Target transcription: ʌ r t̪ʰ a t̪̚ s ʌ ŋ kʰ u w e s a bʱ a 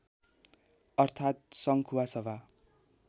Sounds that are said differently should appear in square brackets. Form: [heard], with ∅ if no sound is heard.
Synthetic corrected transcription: ʌ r t̪ʰ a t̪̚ s ʌ ŋ kʰ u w [a] s [ʌ] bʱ a